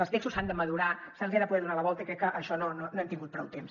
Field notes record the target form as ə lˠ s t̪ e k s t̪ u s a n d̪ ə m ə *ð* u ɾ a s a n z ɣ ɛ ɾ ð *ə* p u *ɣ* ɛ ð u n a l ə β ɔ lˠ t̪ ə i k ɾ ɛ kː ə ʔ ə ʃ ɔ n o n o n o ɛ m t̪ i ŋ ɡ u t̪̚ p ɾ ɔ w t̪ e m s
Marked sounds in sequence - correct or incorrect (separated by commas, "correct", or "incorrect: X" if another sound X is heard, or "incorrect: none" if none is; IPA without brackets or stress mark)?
correct, correct, incorrect: ð